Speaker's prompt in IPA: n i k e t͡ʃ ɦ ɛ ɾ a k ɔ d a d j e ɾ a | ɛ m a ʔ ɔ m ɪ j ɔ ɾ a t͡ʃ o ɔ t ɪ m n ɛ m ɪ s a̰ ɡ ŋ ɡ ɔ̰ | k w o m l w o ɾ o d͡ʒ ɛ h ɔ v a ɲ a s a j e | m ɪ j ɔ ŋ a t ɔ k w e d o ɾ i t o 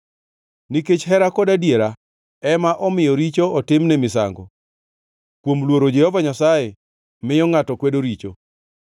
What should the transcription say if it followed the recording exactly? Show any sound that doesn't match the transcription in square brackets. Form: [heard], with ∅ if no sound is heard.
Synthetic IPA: n i k e t͡ʃ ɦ ɛ ɾ a k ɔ d a d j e ɾ a | ɛ m a ʔ ɔ m ɪ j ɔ ɾ [i] t͡ʃ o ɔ t ɪ m n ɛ m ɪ s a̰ [∅] ŋ ɡ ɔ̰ | k w o m l w o ɾ o d͡ʒ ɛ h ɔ v a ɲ a s a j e | m ɪ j ɔ ŋ a t ɔ k w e d o ɾ i [t͡ʃ] o

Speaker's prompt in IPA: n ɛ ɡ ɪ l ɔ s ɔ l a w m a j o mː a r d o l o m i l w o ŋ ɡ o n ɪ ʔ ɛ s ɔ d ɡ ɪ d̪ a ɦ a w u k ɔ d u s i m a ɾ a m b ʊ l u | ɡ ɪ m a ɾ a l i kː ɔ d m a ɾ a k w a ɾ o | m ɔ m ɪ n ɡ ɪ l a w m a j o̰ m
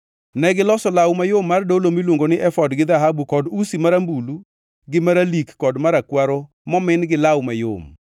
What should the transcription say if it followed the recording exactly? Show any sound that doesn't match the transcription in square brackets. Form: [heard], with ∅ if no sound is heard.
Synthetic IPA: n ɛ ɡ ɪ l ɔ s ɔ l a w m a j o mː a r d o l o m i l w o ŋ ɡ o n ɪ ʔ ɛ [f] ɔ d ɡ ɪ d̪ a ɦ a [b] u k ɔ d u s i m a ɾ a m b [u] l u | ɡ ɪ m a ɾ a l i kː ɔ d m a ɾ a k w a ɾ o | m ɔ m ɪ n ɡ ɪ l a w m a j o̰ m

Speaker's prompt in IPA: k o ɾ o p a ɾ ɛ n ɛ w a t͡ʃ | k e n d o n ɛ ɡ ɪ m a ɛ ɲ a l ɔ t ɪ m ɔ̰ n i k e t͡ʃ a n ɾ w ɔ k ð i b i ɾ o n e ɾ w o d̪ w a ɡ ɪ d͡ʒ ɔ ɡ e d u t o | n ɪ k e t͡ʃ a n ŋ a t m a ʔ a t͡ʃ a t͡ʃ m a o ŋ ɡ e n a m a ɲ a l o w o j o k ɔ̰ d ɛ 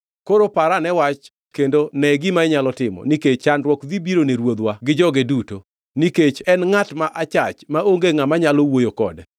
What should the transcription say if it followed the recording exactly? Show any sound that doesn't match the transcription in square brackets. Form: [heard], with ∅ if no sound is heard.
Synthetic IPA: k o ɾ o p a ɾ [a] n ɛ w a t͡ʃ | k e n d o n ɛ ɡ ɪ m a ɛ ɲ a l ɔ t ɪ m ɔ̰ n i k e t͡ʃ a n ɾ w ɔ k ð i b i ɾ o n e ɾ w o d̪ w a ɡ ɪ d͡ʒ ɔ ɡ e d u t o | n [i] k e t͡ʃ [ɛ] n ŋ a t m a ʔ a t͡ʃ a t͡ʃ m a o ŋ ɡ e [ŋ] a m a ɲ a l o w o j o k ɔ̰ d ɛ

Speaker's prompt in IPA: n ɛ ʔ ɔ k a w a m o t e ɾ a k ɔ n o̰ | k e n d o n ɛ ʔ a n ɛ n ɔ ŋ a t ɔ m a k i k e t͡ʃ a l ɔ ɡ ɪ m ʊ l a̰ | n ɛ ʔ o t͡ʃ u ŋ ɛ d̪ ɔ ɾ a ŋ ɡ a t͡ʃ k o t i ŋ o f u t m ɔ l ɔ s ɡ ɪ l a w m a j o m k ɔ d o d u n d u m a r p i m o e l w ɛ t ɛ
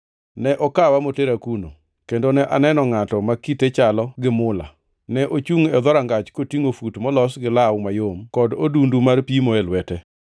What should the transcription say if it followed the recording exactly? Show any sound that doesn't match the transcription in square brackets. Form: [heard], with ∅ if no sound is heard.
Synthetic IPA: n ɛ ʔ ɔ k a w a m o t e ɾ a k [u] n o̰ | k e n d o n ɛ ʔ a n ɛ n ɔ ŋ a t ɔ m a k i [t] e t͡ʃ a l ɔ ɡ ɪ m ʊ l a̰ | n ɛ ʔ o t͡ʃ u ŋ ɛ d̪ ɔ ɾ a ŋ ɡ a t͡ʃ k o t i ŋ o f u t m ɔ l ɔ s ɡ ɪ l a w m a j o m k ɔ d o d u n d u m a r p i m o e l w ɛ t ɛ

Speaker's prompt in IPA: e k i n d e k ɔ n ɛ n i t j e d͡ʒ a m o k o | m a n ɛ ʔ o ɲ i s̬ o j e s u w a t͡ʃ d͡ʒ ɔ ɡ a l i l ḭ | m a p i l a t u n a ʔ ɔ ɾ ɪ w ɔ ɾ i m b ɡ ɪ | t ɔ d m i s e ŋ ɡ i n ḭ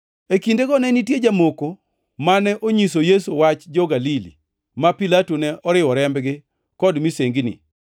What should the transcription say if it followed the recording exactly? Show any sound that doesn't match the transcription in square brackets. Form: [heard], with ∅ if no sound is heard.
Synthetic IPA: e k i n d e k ɔ n ɛ n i t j e d͡ʒ a m o k o | m a n ɛ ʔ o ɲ i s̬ o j e s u w a t͡ʃ d͡ʒ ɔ ɡ a l i l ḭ | m a p i l a t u n [ɛ] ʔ ɔ ɾ ɪ w ɔ ɾ [ɛ] m b ɡ ɪ | [k] ɔ d m i s e ŋ ɡ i n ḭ

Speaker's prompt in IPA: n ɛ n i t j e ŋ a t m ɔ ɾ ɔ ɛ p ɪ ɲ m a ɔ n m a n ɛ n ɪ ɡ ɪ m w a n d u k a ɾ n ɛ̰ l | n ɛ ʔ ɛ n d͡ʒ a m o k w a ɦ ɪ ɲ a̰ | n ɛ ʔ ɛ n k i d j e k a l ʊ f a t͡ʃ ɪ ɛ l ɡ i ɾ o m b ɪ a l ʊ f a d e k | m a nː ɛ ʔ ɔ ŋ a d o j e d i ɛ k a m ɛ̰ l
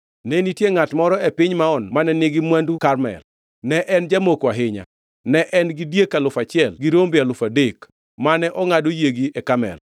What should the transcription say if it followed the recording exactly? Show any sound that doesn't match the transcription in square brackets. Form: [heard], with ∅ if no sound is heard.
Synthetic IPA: n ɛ n i t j e ŋ a t m ɔ ɾ ɔ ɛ p ɪ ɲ m a ɔ n m a n ɛ n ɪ ɡ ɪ m w a n d u k a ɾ [m] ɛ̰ l | n ɛ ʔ ɛ n d͡ʒ a m o k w a ɦ ɪ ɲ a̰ | n ɛ ʔ ɛ n [ɡ] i d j e k a l ʊ f a t͡ʃ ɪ ɛ l ɡ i ɾ o m b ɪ a l ʊ f a d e k | m a [n] ɛ ʔ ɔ ŋ a d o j e [ɡ] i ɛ k a m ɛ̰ l

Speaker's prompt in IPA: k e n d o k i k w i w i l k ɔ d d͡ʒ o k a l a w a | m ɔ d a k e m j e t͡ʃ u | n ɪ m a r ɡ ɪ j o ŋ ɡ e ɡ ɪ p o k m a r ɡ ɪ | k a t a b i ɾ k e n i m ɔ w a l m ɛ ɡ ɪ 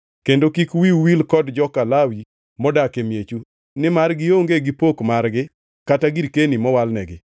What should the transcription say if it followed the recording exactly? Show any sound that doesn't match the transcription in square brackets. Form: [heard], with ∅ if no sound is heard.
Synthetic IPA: k e n d o k i k w i w i l k ɔ d d͡ʒ [ɔ] k a l a w [i] | m ɔ d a k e m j e t͡ʃ u | n ɪ m a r ɡ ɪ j o ŋ ɡ e ɡ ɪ p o k m a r ɡ ɪ | k a t a [ɡ] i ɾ k e n i m ɔ w a l [n] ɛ ɡ ɪ

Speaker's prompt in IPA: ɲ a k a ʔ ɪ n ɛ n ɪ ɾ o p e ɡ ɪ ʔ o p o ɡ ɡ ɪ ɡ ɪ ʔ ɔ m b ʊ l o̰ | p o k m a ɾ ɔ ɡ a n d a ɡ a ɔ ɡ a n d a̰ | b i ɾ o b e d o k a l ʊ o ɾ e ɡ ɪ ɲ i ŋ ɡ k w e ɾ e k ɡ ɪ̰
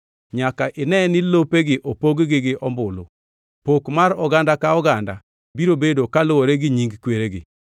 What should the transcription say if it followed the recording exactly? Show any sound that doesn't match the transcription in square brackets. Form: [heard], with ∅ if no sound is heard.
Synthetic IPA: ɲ a k a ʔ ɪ n ɛ n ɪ [l] o p e ɡ ɪ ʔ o p o ɡ ɡ ɪ ɡ ɪ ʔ ɔ m b ʊ l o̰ | p o k m a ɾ ɔ ɡ a n d a [k] a ɔ ɡ a n d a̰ | b i ɾ o b e d o k a l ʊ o ɾ e ɡ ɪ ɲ i ŋ ɡ k w e ɾ e [∅] ɡ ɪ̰

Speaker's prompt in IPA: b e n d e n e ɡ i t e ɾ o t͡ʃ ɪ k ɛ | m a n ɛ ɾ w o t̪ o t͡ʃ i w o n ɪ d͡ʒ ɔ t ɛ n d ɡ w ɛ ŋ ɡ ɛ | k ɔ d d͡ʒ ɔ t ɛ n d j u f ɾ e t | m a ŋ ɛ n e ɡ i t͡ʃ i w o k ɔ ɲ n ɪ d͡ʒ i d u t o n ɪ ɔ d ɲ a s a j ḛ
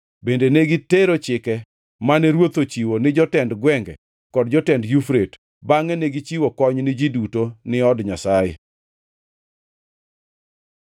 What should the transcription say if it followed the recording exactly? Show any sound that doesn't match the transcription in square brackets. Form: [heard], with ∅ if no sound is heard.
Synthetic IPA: b e n d e n e ɡ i t e ɾ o t͡ʃ ɪ k ɛ | m a n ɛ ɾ w o t̪ o t͡ʃ i w o n ɪ d͡ʒ ɔ t ɛ n d ɡ w ɛ ŋ ɡ ɛ | k ɔ d d͡ʒ ɔ t ɛ n d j u f ɾ e t | [b] a ŋ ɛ n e ɡ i t͡ʃ i w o k ɔ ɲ n ɪ d͡ʒ i d u t o n ɪ ɔ d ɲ a s a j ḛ

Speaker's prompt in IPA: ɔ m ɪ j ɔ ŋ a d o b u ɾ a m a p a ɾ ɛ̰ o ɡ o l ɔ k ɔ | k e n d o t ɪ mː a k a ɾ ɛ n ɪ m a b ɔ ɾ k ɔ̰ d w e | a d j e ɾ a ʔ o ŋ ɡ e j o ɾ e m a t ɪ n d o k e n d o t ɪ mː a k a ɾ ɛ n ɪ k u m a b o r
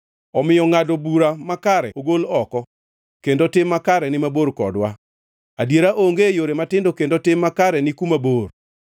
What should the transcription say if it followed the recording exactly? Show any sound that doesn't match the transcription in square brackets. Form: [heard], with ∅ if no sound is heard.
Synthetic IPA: ɔ m ɪ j ɔ ŋ a d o b u ɾ a m a [k] a ɾ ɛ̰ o ɡ o l ɔ k ɔ | k e n d o t ɪ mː a k a ɾ ɛ n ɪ m a b [o] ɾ k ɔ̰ d w [a] | a d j e ɾ a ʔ o ŋ ɡ e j o ɾ e m a t ɪ n d o k e n d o t ɪ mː a k a ɾ ɛ n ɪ k u m a b o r

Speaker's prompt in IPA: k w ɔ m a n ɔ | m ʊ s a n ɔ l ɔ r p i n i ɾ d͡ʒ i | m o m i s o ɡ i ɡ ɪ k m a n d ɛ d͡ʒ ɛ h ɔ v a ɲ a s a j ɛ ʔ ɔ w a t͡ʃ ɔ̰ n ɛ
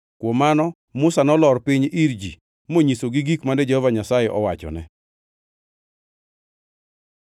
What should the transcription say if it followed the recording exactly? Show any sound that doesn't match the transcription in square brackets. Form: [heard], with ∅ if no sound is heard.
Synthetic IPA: k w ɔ m a n ɔ | m ʊ s a n ɔ l ɔ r p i [ɲ] i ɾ d͡ʒ i | m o [ɲ] i s o ɡ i ɡ [i] k m a n d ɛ d͡ʒ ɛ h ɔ v a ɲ a s a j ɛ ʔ ɔ w a t͡ʃ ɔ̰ n ɛ

